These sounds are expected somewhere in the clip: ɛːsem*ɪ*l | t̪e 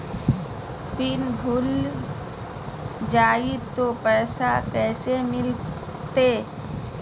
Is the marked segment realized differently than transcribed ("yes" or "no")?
no